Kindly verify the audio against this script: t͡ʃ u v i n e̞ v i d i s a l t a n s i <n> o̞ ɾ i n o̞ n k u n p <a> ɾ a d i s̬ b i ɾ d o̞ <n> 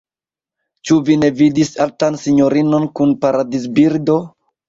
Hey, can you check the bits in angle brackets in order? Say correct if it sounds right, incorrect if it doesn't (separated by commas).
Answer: incorrect, correct, incorrect